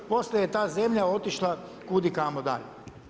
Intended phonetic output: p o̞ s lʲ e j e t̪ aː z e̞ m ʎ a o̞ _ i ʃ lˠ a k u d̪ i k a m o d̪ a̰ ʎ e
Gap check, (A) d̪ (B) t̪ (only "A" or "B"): B